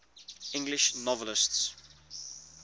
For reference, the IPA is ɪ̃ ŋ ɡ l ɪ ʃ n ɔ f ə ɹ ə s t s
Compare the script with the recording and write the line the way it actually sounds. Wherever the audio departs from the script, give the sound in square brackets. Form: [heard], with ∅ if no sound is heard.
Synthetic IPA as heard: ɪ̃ ŋ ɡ l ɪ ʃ n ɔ [v] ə [l] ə s t s

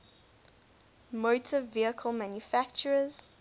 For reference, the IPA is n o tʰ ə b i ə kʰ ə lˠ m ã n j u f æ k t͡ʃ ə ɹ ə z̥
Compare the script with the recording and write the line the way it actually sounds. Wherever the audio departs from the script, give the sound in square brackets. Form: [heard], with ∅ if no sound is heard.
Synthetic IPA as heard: [m] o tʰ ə [v] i ə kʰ ə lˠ m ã n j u f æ k t͡ʃ ə ɹ ə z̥

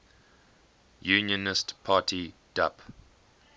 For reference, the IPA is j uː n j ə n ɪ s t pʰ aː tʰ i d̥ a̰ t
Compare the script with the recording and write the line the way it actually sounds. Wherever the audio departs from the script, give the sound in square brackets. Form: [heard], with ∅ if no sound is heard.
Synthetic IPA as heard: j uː n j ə n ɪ s t pʰ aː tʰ i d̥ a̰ [p]

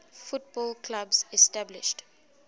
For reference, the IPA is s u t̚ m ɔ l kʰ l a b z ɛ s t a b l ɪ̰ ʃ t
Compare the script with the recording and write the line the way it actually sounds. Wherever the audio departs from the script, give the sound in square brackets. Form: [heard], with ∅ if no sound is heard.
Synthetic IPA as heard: [f] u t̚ [b] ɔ l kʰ l a b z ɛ s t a b l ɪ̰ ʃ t

